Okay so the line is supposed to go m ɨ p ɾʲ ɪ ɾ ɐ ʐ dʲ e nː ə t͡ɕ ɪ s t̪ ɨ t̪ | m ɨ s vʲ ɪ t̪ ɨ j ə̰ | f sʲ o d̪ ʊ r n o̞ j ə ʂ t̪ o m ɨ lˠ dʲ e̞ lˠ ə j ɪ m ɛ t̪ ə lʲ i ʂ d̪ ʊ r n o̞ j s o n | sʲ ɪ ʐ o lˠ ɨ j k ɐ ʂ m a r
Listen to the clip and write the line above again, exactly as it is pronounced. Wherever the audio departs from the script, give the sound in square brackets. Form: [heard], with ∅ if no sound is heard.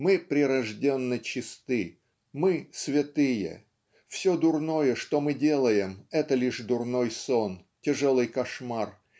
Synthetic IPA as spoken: m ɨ p ɾʲ ɪ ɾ ɐ ʐ dʲ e nː ə t͡ɕ ɪ s t̪ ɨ [∅] | m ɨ s vʲ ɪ t̪ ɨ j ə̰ | f sʲ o d̪ ʊ r n o̞ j ə ʂ t̪ o m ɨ [∅] dʲ e̞ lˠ ə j ɪ m ɛ t̪ ə lʲ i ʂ d̪ ʊ r n o̞ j s o n | [tʲ] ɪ ʐ o lˠ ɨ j k ɐ ʂ m a r